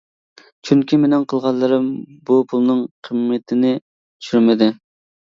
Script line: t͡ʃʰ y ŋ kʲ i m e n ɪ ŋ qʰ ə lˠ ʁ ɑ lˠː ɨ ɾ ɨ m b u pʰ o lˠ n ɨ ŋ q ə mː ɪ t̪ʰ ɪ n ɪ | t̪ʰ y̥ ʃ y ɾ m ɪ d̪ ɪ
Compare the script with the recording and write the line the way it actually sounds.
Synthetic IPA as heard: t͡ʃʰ y ŋ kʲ i m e n ɪ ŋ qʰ ə lˠ ʁ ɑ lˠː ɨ ɾ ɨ m b u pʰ u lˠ n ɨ ŋ qʰ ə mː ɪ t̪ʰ ɪ n ɪ | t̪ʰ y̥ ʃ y ɾ m ɪ d̪ ɪ